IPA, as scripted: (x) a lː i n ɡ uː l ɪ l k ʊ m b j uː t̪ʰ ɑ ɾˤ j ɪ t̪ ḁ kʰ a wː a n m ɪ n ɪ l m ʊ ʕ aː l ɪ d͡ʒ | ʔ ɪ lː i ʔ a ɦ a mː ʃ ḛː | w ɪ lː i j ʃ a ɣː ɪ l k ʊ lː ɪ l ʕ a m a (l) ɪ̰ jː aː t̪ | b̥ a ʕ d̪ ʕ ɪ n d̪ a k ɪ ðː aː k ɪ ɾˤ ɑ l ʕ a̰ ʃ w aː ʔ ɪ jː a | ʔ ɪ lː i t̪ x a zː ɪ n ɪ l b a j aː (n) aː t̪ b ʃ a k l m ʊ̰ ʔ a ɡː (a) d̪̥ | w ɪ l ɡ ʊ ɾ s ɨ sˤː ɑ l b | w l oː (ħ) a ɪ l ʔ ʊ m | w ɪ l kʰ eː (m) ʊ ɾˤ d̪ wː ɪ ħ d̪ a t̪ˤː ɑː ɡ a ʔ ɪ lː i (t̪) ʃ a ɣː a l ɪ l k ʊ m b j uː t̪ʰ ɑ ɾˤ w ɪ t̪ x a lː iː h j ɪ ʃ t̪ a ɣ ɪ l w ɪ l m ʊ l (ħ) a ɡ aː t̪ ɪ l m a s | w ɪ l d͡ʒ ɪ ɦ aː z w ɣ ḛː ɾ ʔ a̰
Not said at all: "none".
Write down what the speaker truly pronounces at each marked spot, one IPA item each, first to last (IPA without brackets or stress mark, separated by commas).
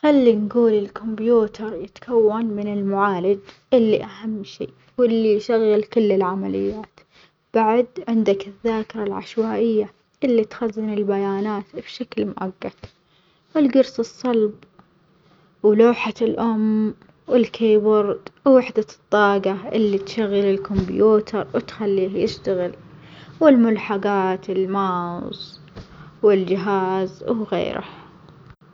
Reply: x, l, n, a, ħ, b, t̪, ħ